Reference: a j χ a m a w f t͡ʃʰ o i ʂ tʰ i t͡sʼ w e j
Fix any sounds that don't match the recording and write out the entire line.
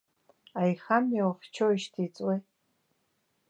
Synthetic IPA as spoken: a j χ a m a w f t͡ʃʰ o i ʃ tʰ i t͡sʼ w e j